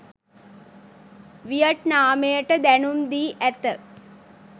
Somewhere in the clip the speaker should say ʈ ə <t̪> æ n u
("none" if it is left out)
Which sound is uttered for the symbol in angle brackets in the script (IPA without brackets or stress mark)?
d̪